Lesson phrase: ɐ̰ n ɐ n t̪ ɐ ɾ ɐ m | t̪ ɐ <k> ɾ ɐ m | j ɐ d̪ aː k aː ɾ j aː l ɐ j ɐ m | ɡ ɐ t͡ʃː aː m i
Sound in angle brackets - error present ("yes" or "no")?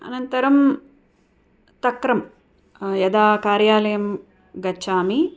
no